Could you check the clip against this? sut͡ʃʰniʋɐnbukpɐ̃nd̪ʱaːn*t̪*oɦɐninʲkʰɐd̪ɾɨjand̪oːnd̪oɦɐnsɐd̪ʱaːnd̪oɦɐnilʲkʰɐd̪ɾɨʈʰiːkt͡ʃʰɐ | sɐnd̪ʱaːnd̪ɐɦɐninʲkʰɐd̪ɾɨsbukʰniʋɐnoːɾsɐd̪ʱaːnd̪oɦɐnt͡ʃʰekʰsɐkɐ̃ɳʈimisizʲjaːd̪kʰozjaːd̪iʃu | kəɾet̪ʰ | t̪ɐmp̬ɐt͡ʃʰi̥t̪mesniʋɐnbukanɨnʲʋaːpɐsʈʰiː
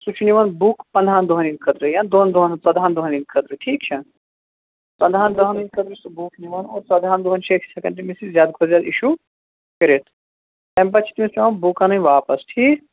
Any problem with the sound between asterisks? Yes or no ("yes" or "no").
yes